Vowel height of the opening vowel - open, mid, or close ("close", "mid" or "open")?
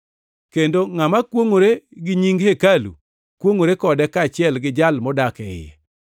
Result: mid